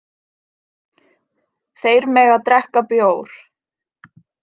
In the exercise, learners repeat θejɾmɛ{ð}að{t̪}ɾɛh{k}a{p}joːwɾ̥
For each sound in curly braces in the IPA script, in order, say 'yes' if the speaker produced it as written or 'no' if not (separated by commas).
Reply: no, yes, yes, yes